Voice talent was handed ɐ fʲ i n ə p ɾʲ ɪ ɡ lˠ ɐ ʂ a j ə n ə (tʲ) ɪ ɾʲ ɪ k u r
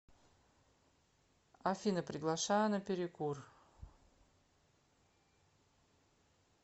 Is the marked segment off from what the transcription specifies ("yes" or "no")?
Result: yes